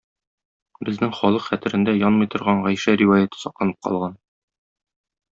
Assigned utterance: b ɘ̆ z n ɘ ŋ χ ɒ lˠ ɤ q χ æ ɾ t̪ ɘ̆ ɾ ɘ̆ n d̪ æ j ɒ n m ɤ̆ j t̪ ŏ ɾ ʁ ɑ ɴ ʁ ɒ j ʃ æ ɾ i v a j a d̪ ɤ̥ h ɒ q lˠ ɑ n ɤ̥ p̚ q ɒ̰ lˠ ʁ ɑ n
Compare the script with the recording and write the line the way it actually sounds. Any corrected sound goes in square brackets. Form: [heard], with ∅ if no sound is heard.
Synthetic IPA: b ɘ̆ z n ɘ ŋ χ ɒ lˠ ɤ q χ æ [∅] t̪ ɘ̆ ɾ ɘ̆ n d̪ æ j ɒ n m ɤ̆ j t̪ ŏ ɾ ʁ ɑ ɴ ʁ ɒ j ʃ æ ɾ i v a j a [t̪] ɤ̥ [s] ɒ q lˠ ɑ n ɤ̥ p̚ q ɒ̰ lˠ ʁ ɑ n